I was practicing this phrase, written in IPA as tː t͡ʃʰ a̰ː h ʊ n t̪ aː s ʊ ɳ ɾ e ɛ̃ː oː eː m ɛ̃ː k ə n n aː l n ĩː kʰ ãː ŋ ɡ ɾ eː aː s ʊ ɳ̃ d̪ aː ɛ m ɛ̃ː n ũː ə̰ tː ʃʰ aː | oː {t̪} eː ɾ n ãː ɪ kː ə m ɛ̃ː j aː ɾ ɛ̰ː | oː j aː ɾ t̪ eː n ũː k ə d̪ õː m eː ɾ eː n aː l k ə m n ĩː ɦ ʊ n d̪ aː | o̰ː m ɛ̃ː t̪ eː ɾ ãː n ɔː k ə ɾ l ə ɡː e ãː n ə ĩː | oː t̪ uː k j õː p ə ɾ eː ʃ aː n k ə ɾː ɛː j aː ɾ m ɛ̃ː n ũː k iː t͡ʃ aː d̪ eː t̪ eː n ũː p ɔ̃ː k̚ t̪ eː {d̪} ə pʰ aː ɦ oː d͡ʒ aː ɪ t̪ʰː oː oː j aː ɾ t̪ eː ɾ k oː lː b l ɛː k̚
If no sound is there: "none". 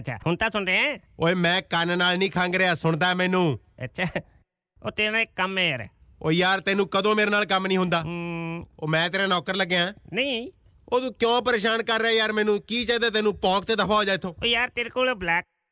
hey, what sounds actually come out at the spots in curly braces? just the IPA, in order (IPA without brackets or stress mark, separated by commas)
t̪, d̪